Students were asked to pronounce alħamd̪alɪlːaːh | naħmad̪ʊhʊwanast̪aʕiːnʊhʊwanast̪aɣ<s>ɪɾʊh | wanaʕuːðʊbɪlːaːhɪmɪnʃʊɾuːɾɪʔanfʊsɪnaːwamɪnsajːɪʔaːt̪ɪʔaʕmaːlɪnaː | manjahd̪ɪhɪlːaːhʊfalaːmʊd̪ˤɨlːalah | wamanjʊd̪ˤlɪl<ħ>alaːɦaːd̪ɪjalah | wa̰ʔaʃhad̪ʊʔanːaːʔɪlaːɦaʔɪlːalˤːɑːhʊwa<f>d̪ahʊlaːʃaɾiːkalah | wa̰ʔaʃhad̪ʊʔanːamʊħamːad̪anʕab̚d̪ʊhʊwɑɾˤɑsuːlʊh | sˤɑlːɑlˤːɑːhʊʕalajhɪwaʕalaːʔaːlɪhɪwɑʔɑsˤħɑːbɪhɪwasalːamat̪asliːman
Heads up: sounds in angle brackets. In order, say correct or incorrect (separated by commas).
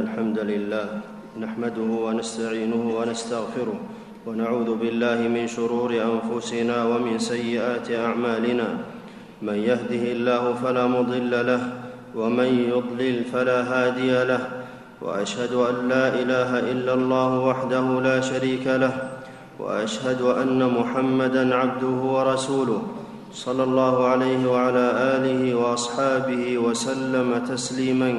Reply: incorrect, incorrect, incorrect